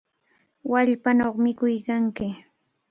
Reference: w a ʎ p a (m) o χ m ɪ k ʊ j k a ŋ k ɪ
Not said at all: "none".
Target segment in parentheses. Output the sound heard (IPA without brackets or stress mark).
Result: n